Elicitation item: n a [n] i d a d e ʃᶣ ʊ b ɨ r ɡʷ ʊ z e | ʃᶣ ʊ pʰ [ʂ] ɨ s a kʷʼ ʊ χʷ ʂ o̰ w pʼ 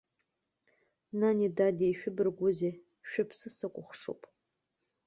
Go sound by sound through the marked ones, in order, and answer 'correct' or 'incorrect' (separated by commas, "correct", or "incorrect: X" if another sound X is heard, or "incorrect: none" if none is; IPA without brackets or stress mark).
correct, incorrect: s